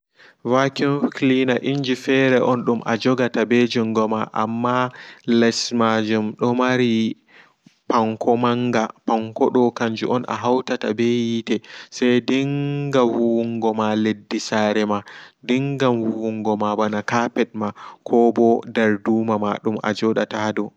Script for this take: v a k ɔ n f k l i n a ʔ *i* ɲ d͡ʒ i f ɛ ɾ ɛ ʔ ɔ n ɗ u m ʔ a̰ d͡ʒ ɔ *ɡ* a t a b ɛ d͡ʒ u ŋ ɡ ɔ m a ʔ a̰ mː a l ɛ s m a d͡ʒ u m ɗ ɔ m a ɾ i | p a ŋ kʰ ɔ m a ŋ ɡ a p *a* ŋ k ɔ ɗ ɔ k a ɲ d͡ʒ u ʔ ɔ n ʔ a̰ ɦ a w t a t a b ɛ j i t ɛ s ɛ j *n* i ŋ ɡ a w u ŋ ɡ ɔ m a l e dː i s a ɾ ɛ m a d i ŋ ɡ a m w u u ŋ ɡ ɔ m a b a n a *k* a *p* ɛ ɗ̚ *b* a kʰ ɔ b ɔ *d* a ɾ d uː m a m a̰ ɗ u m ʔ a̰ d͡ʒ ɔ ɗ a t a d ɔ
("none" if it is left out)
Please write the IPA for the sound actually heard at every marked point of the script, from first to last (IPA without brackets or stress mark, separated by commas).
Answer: i, ɡ, a, d, k, p, m, d